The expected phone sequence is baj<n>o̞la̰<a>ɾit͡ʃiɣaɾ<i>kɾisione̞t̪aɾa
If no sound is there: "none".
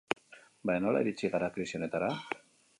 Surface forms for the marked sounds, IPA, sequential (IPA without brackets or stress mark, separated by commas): n, i, a